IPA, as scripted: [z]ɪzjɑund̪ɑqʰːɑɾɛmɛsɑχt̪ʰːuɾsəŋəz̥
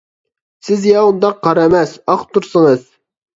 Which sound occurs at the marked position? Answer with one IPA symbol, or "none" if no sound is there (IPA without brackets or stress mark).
s